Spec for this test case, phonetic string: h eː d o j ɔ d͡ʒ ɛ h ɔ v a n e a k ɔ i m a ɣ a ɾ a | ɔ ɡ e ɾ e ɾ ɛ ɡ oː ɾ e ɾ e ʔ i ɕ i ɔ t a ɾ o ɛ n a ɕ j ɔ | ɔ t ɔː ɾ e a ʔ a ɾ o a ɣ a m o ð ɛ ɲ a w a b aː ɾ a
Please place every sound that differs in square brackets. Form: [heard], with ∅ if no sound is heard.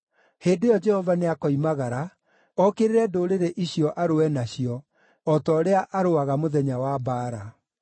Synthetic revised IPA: h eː d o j ɔ d͡ʒ ɛ h ɔ v a n e a k ɔ i m a ɣ a ɾ a | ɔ [k] e ɾ e ɾ ɛ [d] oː ɾ e ɾ e ʔ i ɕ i ɔ [ʔ] a ɾ o ɛ n a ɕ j ɔ | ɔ t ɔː ɾ e a ʔ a ɾ o a ɣ a m o ð ɛ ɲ a w a b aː ɾ a